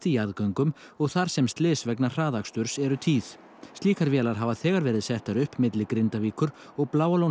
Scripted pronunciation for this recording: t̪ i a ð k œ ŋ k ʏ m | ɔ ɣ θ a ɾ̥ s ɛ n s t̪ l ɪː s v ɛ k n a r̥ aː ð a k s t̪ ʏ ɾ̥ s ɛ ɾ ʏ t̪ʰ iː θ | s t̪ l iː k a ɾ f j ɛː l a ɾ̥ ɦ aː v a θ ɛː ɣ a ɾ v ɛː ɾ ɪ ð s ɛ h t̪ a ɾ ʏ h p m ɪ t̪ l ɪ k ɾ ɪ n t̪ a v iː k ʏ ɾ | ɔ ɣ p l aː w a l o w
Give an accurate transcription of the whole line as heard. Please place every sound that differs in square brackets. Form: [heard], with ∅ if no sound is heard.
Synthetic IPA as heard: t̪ i a ð k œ ŋ k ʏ m | ɔ ɣ θ a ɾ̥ s ɛ [m] s t̪ l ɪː s v ɛ k n a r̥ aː ð a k s t̪ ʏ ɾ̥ s ɛ ɾ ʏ t̪ʰ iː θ | s t̪ l iː k a ɾ [v] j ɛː l a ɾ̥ ɦ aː v a θ ɛː ɣ a ɾ v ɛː ɾ ɪ ð s ɛ h t̪ a ɾ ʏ h p m ɪ t̪ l ɪ k ɾ ɪ n t̪ a v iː k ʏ ɾ | ɔ ɣ p l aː w a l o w

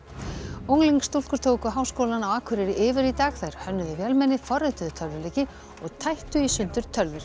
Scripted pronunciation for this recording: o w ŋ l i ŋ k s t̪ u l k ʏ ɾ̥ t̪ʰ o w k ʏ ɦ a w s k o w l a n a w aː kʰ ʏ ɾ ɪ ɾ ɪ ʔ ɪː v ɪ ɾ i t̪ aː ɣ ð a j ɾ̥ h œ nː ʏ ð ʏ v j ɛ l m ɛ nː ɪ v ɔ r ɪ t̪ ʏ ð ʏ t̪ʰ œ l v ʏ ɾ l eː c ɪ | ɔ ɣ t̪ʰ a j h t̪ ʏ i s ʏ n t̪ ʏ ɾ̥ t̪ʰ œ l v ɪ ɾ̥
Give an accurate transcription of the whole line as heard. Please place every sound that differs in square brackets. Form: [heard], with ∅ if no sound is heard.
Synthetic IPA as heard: o w ŋ l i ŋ k s t̪ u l k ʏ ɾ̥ t̪ʰ o w k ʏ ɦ a w s k o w l a n a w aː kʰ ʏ ɾ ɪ ɾ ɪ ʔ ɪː v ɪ ɾ i t̪ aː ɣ [θ] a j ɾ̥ h œ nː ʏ ð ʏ v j ɛ l m ɛ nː ɪ [f] ɔ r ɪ t̪ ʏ ð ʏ t̪ʰ œ l v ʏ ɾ l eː c ɪ | ɔ ɣ t̪ʰ a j h t̪ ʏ i s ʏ n t̪ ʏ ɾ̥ t̪ʰ œ l v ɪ ɾ̥

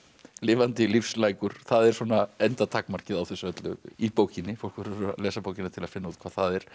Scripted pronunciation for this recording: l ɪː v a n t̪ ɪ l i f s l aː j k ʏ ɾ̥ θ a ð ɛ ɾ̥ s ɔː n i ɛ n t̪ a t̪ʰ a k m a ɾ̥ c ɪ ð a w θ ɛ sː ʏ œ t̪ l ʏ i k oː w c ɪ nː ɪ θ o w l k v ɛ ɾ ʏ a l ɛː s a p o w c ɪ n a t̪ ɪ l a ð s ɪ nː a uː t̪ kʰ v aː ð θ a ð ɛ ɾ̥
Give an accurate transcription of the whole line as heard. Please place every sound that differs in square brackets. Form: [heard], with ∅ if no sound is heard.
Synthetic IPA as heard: l ɪː v a n t̪ ɪ l i f s l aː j k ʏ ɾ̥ θ a ð ɛ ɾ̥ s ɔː n [a] ɛ n t̪ a t̪ʰ a k m a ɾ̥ c ɪ ð a w θ ɛ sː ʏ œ t̪ l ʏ i [p] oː w c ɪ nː ɪ [f] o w l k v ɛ ɾ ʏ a l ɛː s a p o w c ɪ n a [t̪ʰ] ɪ l a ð [f] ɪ nː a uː t̪ kʰ v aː ð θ a ð ɛ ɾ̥

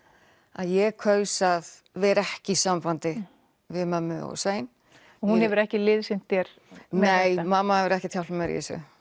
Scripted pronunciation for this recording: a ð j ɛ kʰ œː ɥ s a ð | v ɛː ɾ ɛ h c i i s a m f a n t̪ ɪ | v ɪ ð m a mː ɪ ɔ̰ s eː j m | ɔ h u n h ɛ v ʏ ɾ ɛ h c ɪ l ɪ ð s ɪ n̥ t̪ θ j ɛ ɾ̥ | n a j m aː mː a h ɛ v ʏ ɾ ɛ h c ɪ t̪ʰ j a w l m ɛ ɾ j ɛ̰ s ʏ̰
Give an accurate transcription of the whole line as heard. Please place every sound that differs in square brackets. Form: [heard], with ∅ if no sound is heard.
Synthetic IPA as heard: a ð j ɛ kʰ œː ɥ s a ð | v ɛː ɾ ɛ h c [ɪ] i s a m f a n t̪ ɪ | v ɪ ð m a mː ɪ ɔ̰ s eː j [n] | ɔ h u n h ɛ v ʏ ɾ ɛ h c ɪ l ɪ ð s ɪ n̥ t̪ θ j ɛ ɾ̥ | n [e] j m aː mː a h ɛ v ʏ ɾ ɛ h c ɪ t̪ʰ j a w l m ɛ ɾ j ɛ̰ s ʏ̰

